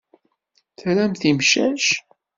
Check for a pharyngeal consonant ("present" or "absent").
absent